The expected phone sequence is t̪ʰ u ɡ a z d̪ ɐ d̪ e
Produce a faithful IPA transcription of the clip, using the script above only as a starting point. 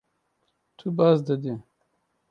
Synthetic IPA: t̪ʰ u b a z d̪ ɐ d̪ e

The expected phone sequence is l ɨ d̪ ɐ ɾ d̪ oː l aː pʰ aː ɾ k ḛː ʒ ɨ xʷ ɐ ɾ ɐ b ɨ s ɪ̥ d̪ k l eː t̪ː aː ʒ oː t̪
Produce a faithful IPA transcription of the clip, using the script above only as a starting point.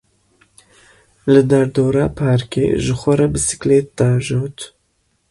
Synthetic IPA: l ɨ d̪ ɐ ɾ d̪ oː ɾ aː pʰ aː ɾ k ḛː ʒ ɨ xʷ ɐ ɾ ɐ b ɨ s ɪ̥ k l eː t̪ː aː ʒ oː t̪

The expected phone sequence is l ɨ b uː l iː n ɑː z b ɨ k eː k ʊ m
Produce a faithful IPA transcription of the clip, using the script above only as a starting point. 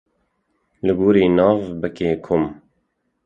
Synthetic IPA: l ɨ ɡ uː ɾ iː n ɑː v b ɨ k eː kʰ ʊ m

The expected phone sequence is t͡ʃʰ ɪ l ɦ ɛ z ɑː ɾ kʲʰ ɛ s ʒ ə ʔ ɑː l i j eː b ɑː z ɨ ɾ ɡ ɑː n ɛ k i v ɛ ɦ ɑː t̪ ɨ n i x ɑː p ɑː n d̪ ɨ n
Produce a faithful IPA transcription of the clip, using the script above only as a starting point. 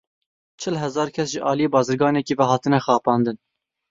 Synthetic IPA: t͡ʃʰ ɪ l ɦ ɛ z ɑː ɾ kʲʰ ɛ s ʒ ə ʔ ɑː l i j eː b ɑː z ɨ ɾ ɡ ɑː n ɛ k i v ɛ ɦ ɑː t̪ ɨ n ɛ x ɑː p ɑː n d̪ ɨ n

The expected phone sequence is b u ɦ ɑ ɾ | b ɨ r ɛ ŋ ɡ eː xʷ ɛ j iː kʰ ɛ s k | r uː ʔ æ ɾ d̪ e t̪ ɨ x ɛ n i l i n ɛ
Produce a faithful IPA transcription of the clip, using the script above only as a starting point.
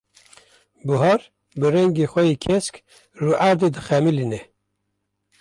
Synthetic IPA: b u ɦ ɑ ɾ | b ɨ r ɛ ŋ ɡ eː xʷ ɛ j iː kʰ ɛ s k | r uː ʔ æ ɾ d̪ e d̪ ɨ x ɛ m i l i n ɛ

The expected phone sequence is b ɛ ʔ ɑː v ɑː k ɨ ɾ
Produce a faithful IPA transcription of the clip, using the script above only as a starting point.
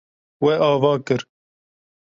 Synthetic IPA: w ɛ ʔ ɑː v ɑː k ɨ ɾ

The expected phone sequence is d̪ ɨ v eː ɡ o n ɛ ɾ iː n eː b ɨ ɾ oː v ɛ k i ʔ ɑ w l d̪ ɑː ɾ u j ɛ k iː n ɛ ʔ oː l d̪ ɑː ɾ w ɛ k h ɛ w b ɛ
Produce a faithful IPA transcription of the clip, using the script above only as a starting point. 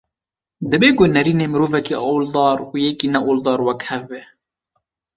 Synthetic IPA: d̪ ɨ b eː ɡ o n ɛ ɾ iː n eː m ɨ ɾ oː v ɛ k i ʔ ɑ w l d̪ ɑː ɾ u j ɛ k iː n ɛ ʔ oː l d̪ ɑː ɾ w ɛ k h ɛ v b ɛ

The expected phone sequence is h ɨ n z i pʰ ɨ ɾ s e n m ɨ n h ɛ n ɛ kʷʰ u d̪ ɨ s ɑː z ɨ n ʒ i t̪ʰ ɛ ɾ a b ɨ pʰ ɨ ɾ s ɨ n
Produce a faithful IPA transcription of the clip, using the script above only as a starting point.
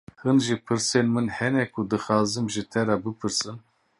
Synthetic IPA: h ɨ n ʒ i pʰ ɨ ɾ s e n m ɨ n h ɛ n ɛ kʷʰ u d̪ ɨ x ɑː z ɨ m ʒ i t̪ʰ ɛ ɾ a b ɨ pʰ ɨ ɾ s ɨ n

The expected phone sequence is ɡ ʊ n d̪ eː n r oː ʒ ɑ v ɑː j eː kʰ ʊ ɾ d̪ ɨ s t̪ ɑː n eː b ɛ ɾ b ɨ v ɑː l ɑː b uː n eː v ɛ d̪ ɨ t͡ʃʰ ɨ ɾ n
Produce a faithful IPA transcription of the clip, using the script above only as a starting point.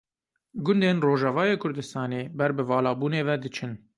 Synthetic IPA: ɡ ʊ n d̪ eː n r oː ʒ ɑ v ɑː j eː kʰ ʊ ɾ d̪ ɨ s t̪ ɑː n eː b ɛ ɾ b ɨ v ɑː l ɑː b uː n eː v ɛ d̪ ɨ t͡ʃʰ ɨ n

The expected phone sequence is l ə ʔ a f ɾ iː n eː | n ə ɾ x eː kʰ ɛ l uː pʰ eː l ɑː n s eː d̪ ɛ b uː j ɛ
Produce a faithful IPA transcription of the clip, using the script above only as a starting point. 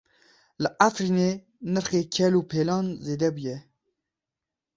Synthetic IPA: l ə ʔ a f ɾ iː n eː | n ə ɾ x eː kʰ ɛ l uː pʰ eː l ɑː n z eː d̪ ɛ b u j ɛ

